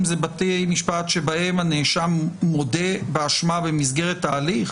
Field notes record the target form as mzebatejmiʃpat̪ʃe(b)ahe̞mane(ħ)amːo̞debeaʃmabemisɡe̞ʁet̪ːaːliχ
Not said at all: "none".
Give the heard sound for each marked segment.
b, ʃ

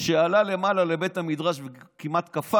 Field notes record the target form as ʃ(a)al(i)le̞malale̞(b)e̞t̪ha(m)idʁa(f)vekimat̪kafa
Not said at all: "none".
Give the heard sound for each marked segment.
e, a, b, m, ʃ

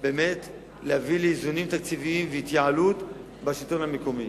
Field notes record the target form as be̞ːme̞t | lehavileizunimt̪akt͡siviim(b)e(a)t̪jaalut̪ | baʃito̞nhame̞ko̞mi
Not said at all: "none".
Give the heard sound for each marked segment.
v, i

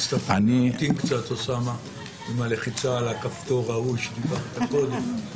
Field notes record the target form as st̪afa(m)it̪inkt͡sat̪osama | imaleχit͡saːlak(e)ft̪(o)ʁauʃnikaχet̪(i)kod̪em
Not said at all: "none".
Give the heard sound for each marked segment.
n, a, o, a

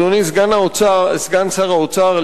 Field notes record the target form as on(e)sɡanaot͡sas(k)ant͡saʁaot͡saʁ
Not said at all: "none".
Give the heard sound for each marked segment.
i, ɡ

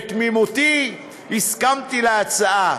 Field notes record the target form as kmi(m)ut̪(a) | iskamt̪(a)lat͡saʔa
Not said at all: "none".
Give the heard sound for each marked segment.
m, i, i

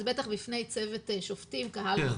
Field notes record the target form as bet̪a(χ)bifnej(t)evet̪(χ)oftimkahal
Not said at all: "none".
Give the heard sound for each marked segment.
χ, t͡s, ʃ

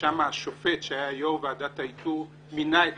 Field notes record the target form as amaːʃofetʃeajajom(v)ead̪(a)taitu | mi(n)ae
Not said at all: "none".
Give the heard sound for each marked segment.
v, a, n

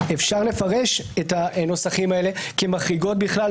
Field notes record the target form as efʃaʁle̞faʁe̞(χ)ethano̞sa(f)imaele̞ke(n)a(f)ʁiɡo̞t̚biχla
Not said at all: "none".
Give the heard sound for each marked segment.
ʃ, χ, m, χ

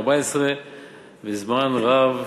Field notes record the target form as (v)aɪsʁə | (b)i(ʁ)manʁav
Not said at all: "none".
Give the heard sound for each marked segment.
b, v, z

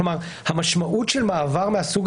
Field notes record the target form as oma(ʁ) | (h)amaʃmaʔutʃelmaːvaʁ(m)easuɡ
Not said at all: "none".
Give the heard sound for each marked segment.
ʁ, h, m

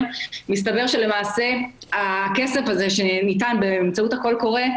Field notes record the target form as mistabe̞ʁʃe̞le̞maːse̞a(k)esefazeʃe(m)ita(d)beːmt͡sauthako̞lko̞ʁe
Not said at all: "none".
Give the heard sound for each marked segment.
k, n, n

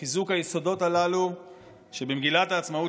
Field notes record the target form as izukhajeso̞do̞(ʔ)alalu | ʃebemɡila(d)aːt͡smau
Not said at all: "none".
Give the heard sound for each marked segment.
t, t

